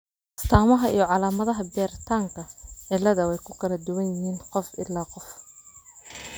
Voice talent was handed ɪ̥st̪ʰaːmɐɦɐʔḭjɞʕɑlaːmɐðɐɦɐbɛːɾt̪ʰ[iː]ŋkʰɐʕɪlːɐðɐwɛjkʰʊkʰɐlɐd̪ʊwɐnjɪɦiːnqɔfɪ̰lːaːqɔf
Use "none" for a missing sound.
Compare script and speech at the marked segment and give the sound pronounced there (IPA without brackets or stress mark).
aː